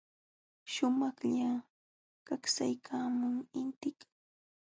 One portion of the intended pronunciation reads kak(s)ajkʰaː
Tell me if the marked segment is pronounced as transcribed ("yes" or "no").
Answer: yes